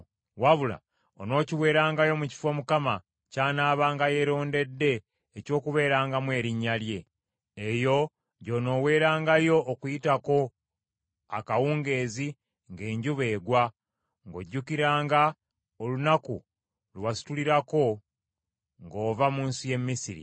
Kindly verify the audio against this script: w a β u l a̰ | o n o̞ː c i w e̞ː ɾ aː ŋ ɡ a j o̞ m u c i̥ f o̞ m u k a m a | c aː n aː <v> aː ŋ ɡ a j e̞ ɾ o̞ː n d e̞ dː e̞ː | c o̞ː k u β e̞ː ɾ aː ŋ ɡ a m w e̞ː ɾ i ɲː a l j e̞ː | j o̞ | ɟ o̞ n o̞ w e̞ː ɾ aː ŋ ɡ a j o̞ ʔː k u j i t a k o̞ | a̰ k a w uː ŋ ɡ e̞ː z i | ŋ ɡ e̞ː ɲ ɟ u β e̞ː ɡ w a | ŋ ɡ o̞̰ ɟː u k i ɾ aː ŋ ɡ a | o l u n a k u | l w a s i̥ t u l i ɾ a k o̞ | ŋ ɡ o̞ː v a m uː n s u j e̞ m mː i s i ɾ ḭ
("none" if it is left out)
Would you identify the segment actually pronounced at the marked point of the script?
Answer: β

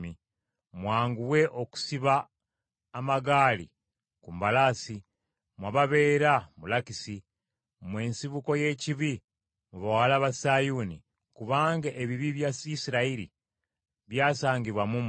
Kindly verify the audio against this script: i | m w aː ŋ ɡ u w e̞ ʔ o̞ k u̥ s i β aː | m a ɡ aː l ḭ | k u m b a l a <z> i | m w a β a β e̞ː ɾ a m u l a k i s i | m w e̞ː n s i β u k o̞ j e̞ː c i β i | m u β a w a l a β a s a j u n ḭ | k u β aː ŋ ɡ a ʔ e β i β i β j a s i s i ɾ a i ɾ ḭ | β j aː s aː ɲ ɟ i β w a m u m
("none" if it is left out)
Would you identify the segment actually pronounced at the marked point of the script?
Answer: s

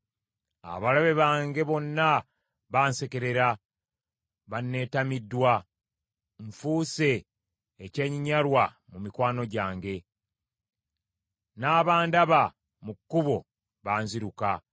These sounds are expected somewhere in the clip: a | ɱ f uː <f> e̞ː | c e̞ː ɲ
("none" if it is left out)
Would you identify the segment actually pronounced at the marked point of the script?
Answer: s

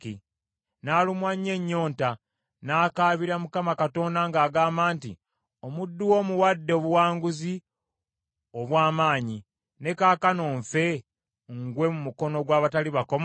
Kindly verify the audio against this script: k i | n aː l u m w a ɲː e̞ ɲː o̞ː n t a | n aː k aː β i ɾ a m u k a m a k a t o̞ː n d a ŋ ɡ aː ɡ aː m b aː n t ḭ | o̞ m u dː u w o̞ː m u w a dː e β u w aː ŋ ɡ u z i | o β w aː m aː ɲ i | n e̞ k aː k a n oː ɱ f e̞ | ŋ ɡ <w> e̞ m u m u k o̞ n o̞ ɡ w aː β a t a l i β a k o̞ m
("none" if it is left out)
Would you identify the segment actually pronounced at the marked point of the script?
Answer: w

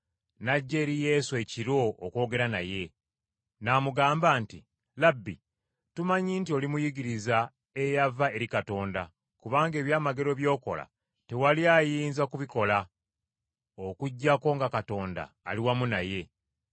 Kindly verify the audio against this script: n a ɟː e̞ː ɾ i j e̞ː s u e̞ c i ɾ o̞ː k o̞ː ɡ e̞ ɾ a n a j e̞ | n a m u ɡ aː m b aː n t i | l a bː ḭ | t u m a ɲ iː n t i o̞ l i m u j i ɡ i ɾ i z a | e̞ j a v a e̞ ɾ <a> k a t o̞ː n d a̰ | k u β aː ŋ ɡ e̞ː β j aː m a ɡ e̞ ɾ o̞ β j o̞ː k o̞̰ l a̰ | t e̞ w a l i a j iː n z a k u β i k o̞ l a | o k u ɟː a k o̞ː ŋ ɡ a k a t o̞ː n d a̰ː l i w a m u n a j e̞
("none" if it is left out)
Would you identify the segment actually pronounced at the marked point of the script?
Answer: i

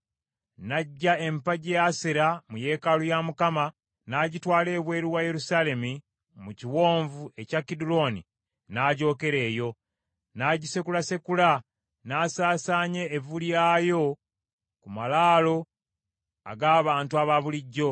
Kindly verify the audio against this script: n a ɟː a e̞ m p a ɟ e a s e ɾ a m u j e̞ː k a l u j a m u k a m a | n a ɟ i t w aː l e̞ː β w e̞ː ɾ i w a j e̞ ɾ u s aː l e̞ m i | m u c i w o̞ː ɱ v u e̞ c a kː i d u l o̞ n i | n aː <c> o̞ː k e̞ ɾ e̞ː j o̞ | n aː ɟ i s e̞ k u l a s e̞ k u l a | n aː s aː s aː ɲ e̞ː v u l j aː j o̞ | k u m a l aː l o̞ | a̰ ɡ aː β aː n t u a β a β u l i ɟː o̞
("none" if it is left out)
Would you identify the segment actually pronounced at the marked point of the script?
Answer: ɟ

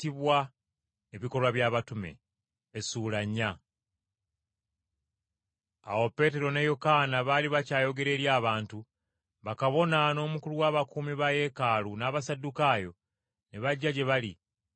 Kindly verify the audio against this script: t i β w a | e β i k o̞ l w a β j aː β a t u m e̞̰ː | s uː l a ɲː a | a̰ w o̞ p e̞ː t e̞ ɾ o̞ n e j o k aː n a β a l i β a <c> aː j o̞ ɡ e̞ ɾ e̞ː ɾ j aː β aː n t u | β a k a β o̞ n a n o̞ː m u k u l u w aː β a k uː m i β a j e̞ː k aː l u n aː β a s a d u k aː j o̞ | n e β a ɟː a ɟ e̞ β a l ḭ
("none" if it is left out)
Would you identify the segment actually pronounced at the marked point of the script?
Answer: c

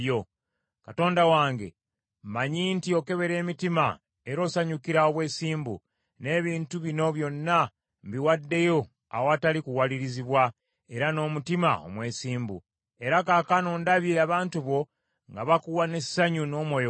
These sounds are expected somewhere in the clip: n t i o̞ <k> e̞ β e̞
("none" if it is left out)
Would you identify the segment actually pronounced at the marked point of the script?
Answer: k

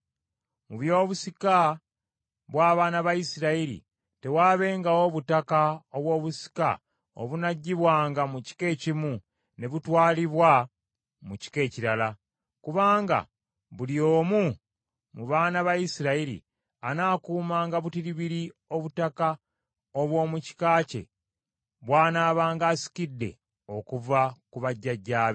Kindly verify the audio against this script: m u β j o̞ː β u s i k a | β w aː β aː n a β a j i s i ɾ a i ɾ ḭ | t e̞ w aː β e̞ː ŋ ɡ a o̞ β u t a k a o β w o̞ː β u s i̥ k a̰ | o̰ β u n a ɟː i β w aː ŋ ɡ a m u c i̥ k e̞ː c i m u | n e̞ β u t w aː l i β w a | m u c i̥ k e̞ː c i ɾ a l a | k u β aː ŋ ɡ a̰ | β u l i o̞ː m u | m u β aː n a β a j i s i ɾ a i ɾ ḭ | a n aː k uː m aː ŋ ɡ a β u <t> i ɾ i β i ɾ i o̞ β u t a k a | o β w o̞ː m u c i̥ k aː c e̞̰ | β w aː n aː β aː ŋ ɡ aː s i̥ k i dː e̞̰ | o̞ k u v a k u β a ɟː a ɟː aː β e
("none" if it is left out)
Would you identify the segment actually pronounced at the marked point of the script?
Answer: t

